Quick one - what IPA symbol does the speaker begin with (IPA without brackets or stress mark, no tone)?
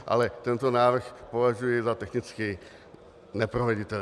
ʔ